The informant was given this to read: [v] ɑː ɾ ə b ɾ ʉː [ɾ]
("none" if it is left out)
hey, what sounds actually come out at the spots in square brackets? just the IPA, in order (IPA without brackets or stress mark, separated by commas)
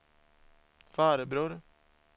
f, ɾ